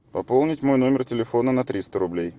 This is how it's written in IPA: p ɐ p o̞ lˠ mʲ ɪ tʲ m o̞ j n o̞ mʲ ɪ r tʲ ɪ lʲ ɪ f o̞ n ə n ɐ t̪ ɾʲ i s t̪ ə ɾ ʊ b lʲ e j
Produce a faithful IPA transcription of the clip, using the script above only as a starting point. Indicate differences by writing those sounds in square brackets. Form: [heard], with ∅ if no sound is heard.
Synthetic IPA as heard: p ɐ p o̞ lˠ [nʲ] ɪ tʲ m o̞ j n o̞ mʲ ɪ r tʲ ɪ lʲ ɪ f o̞ n ə n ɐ t̪ ɾʲ i s t̪ ə ɾ ʊ b lʲ e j

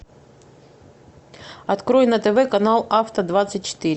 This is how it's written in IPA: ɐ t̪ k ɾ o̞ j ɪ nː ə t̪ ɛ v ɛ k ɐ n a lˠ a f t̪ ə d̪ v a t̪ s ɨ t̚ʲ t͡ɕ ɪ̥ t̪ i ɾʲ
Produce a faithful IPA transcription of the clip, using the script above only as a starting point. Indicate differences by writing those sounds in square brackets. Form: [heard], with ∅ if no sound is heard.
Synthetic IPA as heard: ɐ t̪ k ɾ o̞ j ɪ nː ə t̪ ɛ v ɛ k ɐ n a lˠ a f t̪ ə d̪ v a t̪ s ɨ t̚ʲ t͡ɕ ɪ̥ t̪ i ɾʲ

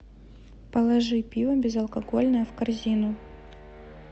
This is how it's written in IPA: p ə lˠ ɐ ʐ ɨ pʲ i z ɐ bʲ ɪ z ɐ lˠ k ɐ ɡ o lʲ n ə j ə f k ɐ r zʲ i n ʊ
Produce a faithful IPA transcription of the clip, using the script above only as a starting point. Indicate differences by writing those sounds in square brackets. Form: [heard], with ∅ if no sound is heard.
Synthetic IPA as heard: p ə lˠ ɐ ʐ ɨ pʲ i [v] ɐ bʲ ɪ z ɐ lˠ k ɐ ɡ o lʲ n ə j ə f k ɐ r zʲ i n ʊ

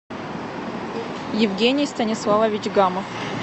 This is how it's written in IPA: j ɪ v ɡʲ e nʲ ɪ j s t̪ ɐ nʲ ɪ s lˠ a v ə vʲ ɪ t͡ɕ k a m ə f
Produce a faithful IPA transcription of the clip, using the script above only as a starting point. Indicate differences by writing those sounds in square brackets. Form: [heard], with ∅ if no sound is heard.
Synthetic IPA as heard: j ɪ v ɡʲ e nʲ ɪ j s t̪ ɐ nʲ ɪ s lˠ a v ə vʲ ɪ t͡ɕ [ɡ] a m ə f

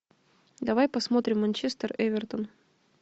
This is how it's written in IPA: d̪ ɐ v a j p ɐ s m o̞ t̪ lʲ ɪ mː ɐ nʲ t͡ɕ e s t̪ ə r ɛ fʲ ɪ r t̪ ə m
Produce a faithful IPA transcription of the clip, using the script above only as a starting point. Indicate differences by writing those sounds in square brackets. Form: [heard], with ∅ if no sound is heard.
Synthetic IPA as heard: d̪ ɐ v a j p ɐ s m o̞ t̪ [ɾʲ] ɪ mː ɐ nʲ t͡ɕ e s t̪ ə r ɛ [vʲ] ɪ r t̪ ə [n]

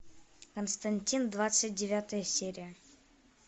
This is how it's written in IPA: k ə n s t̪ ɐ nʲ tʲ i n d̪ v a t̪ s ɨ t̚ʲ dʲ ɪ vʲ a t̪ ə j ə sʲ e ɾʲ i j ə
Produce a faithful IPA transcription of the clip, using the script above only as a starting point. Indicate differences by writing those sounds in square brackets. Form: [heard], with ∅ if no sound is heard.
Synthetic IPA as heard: k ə n s t̪ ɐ nʲ tʲ i n d̪ v a t̪ s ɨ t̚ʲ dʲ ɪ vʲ a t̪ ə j ə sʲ e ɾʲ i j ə

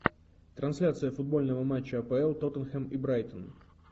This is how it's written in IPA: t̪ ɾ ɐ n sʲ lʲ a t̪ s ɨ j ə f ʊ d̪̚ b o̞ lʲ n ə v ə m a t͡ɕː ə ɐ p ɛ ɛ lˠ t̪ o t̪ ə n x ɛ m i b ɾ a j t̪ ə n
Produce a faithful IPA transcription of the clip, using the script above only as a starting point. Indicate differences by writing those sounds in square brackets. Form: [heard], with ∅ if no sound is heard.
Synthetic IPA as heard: t̪ ɾ ɐ n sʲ lʲ a t̪ s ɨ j ə f ʊ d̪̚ b o̞ lʲ n ə v ə m a t͡ɕː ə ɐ p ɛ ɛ lˠ t̪ o t̪ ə n x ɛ m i b ɾ a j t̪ ə n

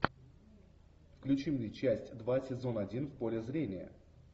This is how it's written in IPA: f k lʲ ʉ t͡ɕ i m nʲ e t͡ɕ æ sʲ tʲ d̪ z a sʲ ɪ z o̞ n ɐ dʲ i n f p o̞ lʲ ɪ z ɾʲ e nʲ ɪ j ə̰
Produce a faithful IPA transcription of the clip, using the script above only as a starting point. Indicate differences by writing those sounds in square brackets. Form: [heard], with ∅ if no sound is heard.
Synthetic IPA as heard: f k lʲ ʉ t͡ɕ i m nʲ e t͡ɕ æ sʲ tʲ d̪ [v] a sʲ ɪ z o̞ n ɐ dʲ i n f p o̞ lʲ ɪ z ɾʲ e nʲ ɪ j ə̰

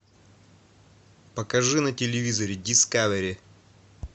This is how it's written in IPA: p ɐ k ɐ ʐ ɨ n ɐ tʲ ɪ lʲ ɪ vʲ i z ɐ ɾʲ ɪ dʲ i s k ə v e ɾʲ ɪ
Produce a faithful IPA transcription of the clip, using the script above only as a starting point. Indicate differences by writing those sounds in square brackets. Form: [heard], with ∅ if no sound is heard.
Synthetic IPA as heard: p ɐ k ɐ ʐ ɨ n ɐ tʲ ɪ lʲ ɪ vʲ i z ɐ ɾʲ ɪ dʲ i s k [a] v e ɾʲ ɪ

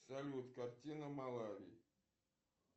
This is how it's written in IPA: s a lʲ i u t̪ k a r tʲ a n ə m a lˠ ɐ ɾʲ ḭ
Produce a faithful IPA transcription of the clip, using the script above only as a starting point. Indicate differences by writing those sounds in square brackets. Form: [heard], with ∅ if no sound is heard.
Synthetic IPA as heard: s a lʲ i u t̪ k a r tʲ [i] n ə m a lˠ [a] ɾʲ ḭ

